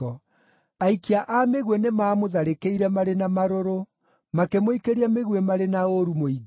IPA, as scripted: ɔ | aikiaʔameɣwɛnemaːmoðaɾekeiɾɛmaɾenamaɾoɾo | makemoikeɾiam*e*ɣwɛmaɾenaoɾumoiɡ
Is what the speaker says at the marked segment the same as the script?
yes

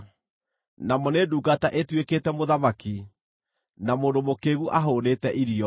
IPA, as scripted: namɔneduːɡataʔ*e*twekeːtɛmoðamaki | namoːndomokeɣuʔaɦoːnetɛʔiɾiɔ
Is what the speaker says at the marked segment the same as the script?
yes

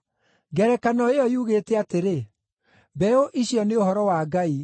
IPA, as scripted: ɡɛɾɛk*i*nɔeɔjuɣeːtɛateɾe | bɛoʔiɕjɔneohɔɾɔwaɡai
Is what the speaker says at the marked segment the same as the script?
no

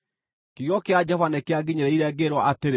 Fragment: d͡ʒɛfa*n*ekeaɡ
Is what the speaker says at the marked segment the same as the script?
yes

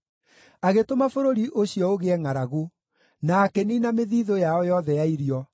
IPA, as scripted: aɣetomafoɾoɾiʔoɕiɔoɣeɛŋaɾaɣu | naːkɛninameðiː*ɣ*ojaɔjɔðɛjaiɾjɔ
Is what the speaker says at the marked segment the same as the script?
no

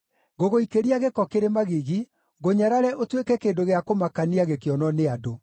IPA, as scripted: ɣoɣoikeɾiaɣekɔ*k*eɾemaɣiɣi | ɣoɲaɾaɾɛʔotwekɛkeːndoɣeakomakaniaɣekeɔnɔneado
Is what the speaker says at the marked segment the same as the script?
yes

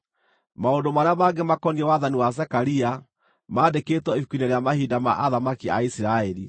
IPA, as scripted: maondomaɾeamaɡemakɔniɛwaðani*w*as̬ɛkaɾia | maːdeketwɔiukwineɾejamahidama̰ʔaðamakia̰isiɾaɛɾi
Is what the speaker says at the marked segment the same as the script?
yes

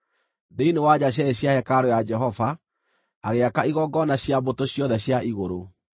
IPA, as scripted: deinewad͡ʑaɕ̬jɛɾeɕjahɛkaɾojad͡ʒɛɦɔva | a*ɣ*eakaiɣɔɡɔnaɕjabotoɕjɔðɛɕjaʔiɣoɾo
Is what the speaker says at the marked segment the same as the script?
yes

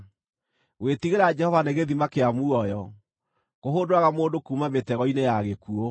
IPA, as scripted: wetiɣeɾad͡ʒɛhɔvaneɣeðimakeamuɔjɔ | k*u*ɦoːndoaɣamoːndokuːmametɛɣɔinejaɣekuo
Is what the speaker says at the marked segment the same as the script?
no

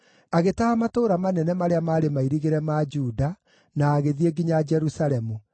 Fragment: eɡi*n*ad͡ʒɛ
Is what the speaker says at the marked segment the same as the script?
no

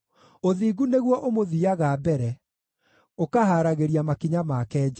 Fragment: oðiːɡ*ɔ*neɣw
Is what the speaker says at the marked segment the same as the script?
no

